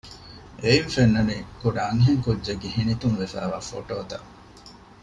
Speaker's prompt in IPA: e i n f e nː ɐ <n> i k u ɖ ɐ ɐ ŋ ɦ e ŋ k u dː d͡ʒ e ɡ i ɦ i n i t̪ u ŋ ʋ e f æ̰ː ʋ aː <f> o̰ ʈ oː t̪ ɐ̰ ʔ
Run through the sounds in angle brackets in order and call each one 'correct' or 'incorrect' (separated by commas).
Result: correct, correct